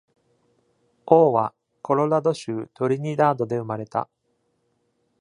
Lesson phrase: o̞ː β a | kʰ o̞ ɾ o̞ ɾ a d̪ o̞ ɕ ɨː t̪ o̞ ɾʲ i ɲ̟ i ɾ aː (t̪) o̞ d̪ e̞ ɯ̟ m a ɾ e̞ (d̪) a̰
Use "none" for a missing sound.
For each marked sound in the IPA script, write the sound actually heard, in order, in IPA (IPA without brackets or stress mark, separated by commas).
d̪, t̪